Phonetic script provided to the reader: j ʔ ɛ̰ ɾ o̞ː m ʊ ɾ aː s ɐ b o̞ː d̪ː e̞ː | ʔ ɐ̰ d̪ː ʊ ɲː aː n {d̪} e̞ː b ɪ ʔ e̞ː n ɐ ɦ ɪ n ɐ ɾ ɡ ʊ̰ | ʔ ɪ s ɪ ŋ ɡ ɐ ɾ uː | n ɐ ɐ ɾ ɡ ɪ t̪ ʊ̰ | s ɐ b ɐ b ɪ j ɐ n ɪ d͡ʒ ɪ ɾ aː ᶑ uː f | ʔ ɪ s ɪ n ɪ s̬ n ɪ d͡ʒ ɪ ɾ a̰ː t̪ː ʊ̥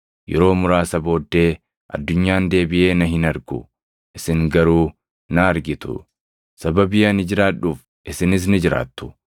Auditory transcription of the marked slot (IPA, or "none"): d̪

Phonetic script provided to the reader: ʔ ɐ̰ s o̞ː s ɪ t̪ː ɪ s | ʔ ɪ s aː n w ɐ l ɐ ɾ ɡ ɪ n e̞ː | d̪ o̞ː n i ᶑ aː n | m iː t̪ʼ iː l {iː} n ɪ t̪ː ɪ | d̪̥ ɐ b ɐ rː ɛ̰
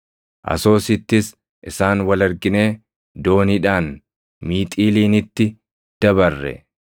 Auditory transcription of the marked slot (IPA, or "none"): iː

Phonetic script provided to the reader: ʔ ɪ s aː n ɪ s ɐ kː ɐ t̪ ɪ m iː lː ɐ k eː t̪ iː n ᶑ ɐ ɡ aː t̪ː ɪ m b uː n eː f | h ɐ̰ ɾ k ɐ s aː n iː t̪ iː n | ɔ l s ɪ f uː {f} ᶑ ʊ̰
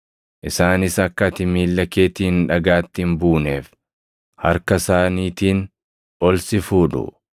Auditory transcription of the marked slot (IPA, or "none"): none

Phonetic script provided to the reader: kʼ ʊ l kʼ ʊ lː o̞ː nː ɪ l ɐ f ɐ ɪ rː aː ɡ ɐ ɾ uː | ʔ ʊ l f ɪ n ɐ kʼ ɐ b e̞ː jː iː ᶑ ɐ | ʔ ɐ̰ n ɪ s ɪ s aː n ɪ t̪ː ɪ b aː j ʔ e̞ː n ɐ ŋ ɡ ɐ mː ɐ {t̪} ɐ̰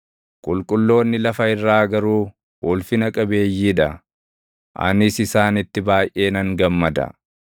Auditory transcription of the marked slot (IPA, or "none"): d̪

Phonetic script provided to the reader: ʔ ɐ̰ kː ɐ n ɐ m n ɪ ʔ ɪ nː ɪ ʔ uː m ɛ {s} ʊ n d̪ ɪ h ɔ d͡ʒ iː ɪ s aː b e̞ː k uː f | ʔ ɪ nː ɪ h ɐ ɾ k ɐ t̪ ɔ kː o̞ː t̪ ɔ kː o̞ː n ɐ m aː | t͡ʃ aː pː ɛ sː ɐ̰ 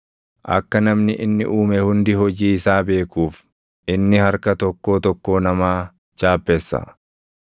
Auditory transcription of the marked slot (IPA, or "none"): h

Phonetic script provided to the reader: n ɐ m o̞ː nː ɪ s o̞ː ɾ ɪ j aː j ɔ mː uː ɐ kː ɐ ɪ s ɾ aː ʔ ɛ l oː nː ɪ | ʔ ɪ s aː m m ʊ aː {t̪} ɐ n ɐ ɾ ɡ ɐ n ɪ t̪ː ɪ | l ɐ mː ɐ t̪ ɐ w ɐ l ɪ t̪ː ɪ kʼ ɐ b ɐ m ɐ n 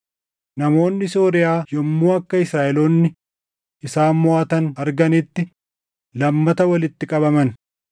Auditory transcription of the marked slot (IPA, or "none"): t̪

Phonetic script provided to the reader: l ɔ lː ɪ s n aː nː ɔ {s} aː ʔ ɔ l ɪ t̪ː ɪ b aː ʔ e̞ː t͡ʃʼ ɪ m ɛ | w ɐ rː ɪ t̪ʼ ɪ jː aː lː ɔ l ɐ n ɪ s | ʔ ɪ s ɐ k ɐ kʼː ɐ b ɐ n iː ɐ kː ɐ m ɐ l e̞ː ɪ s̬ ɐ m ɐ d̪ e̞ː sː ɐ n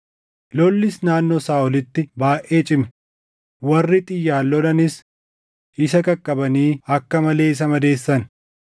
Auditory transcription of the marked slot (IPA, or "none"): s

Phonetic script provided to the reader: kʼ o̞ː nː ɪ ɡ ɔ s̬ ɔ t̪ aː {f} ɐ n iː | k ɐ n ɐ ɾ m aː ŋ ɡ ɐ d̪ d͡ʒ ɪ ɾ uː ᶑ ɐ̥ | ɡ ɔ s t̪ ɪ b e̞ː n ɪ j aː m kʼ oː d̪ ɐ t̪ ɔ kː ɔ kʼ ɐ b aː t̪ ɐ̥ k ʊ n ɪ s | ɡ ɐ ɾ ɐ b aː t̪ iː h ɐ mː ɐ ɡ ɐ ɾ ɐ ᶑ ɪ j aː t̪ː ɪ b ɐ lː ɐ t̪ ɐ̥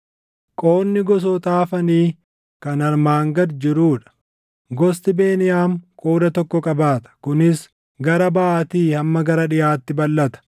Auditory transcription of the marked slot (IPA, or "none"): f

